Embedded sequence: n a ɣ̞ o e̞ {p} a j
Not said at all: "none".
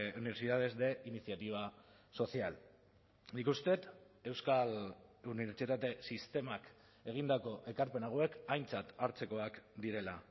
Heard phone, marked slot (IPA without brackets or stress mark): k